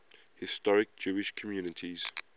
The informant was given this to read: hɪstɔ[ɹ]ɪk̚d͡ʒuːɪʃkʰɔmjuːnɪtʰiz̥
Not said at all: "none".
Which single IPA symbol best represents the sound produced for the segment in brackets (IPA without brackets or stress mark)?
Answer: ɹ